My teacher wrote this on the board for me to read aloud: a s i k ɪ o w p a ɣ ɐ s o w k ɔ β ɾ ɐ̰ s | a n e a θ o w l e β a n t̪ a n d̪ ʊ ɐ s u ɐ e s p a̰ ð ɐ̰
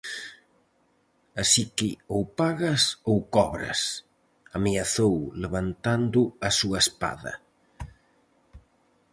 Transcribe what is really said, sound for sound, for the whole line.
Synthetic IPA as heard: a s i k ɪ o w p a ɣ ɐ s o w k ɔ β ɾ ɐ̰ s | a m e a θ o w l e β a n t̪ a n d̪ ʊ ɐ s u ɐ e s p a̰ ð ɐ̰